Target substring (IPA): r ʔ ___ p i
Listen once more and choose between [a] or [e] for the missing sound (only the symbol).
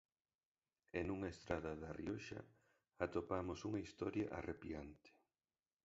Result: e